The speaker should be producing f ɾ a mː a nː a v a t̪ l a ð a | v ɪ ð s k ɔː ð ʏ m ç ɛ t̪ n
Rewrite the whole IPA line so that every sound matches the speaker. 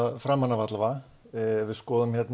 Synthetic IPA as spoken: f ɾ a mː a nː a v a t̪ l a v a | v ɪ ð s k ɔː ð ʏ m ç ɛ t̪ n